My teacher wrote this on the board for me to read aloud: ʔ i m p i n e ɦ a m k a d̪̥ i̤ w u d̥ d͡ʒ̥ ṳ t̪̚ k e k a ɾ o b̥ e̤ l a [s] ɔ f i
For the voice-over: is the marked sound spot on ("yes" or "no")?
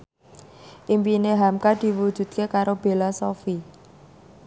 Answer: yes